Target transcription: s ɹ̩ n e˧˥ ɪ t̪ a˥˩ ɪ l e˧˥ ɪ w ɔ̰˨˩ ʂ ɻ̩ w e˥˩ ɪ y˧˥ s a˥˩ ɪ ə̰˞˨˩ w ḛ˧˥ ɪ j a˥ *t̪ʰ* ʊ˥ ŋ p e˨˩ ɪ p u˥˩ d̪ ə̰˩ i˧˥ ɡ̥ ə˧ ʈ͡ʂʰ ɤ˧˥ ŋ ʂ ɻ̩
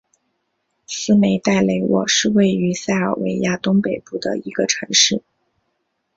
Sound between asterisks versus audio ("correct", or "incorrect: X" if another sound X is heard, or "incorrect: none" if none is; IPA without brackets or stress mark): incorrect: t̪